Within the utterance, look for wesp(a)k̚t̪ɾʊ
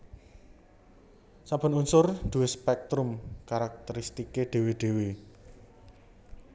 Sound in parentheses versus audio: incorrect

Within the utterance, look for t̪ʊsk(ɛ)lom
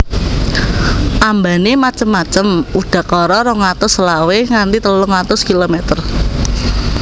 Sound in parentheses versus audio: incorrect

